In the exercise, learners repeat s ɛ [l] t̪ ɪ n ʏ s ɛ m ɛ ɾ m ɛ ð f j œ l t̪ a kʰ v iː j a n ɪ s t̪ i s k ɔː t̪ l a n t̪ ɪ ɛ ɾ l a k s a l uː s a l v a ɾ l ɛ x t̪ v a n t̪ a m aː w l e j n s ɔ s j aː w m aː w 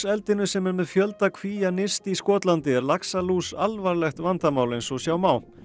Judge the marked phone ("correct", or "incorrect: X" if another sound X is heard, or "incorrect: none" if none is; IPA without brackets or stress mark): correct